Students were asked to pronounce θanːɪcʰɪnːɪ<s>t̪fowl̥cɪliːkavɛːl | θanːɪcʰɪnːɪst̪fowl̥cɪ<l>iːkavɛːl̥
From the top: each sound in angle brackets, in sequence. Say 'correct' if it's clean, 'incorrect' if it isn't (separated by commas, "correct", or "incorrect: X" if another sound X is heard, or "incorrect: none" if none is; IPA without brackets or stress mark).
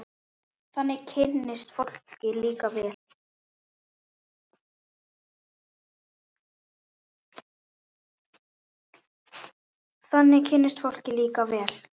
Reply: correct, correct